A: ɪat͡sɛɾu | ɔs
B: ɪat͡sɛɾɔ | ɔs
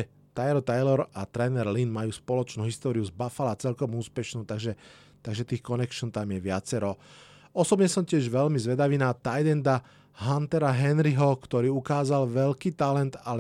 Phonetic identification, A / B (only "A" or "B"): B